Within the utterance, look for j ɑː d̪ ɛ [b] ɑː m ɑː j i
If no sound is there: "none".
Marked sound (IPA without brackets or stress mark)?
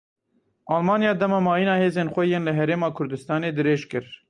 m